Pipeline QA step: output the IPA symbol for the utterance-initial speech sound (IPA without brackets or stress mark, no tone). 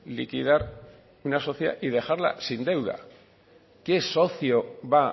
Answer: l